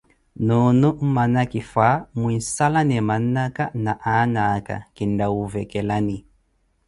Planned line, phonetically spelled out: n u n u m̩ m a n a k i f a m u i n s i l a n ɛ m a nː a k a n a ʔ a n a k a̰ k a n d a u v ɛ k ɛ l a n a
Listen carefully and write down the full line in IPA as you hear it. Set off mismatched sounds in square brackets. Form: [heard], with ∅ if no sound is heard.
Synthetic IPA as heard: n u n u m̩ m a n a k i f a m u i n s [a] l a n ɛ m a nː a k a n a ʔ a n a k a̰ k [i] n d a u v ɛ k ɛ l a n [i]

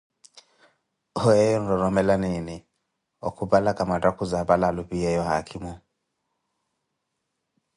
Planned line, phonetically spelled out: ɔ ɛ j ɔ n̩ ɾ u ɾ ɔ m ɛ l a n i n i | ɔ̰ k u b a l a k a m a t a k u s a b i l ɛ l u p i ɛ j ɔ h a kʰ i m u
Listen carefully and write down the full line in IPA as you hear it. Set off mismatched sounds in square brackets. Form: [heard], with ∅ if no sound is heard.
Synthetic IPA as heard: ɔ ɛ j ɔ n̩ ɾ [ɔ] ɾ ɔ m ɛ l a n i n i | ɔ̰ k u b a l a k a m a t a k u [z] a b [a] l [a] l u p i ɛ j ɔ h a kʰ i m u

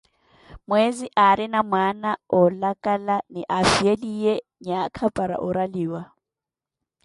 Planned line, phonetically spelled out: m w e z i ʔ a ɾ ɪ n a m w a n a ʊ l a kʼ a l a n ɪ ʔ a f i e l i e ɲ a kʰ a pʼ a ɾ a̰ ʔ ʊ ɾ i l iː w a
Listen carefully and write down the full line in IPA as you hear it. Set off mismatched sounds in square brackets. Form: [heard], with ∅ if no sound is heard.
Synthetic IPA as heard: m w e z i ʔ a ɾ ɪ n a m w a n a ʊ l a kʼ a l a n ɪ ʔ a f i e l i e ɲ a kʰ a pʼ a ɾ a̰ ʔ ʊ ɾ [a] l iː w a

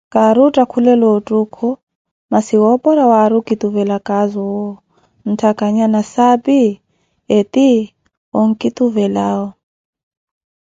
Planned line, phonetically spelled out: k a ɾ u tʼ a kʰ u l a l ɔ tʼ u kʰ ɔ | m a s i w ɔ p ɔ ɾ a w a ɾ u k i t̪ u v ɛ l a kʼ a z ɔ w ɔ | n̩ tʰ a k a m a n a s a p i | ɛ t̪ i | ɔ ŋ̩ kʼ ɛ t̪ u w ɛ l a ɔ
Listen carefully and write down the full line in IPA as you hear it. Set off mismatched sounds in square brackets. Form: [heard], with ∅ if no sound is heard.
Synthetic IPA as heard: k a ɾ u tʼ a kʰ u l [ɛ] l ɔ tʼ u kʰ ɔ | m a s i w ɔ p ɔ ɾ a w a ɾ u k i t̪ u v ɛ l a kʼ a z ɔ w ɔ | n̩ tʰ a k a [ɲ] a n a s a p i | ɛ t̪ i | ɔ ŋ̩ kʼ [i] t̪ u [v] ɛ l a ɔ

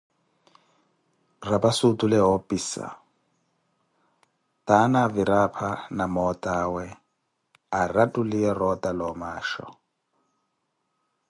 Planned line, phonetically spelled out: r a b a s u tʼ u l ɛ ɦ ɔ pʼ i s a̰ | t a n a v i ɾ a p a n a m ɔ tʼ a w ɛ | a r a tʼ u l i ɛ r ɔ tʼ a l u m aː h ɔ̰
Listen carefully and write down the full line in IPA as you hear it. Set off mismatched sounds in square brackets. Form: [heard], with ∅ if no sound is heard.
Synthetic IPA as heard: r a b a s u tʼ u l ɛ ɦ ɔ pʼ i s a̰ | t a n a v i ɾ a [pʰ] a n a m ɔ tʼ a w ɛ | a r a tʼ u l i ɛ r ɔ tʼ a l [ɔ] m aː [ʃ] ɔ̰

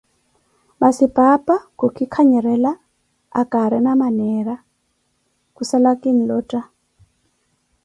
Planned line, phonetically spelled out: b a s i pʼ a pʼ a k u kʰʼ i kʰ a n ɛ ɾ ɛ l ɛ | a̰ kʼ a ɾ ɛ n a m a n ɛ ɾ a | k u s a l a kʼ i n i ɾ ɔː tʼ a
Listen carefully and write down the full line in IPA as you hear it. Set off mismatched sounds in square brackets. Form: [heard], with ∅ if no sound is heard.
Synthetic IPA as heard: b a s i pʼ a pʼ a k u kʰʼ i kʰ a [ɲ] ɛ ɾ ɛ l [a] | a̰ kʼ a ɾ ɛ n a m a n ɛ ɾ a | k u s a l a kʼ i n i [l] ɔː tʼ a

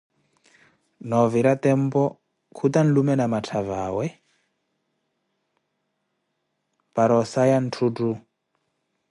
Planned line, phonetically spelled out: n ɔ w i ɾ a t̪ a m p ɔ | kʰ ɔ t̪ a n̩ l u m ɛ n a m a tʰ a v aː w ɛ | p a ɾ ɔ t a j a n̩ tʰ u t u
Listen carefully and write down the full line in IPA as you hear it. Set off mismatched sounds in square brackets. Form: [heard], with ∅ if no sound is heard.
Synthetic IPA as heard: n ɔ [v] i ɾ a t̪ [ɛ] m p ɔ | kʰ [u] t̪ a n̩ l u m ɛ n a m a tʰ a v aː w ɛ | p a ɾ ɔ [s] a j a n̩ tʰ u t u

